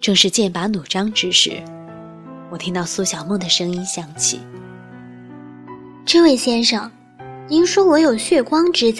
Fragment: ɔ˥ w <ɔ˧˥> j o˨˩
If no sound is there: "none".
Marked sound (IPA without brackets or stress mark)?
ɔ˧˥